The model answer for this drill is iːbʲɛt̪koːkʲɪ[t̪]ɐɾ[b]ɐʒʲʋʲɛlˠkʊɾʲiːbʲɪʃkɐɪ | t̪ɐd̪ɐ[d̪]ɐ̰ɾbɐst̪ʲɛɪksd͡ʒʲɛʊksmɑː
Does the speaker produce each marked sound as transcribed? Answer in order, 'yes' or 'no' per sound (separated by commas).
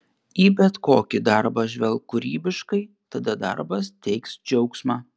no, yes, yes